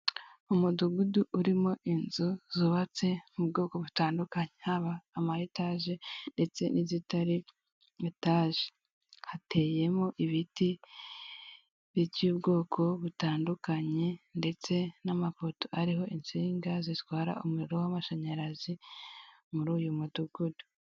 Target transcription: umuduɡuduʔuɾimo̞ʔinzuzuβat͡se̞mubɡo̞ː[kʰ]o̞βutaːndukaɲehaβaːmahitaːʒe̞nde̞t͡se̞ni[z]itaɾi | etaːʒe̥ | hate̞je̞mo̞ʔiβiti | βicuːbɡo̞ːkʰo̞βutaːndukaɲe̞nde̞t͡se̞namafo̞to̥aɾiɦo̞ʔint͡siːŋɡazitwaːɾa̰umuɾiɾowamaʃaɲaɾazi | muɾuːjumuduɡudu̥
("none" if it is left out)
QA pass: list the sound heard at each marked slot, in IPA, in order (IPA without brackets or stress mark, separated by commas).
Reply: k, z